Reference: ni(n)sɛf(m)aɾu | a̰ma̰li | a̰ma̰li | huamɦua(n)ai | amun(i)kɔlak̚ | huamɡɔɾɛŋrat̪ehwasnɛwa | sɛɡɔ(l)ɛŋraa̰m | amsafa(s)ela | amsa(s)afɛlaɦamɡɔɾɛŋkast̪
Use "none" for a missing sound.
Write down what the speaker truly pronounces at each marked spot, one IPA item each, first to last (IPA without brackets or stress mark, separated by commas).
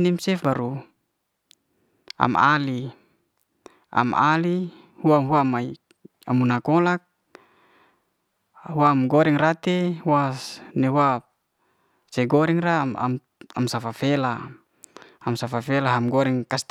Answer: m, b, m, a, ɾ, f, f